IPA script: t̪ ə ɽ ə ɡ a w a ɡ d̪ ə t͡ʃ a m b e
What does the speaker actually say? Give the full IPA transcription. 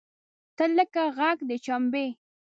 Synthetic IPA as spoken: t̪ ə l ə k a ɣ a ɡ d̪ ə t͡ʃ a m b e